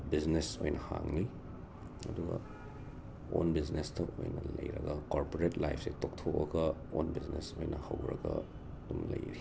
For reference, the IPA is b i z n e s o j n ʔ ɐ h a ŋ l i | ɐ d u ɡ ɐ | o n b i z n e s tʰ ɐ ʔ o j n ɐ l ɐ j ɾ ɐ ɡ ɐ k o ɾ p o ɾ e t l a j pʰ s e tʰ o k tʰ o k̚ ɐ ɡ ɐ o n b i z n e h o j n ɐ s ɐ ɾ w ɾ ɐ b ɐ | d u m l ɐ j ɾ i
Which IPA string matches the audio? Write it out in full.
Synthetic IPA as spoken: b i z n e s o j n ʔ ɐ h a ŋ l i | ɐ d u ɡ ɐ | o n b i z n e s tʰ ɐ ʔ o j n ɐ l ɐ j ɾ ɐ ɡ ɐ k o ɾ p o ɾ e t l a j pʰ s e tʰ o k tʰ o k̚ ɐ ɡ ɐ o n b i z n e s o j n ɐ h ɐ w ɾ ɐ ɡ ɐ | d u m l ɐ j ɾ i